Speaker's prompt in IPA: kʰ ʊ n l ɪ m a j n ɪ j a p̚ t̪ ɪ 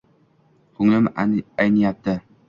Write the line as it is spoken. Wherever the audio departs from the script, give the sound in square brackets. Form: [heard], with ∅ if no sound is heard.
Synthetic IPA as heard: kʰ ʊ [ŋ] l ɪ m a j n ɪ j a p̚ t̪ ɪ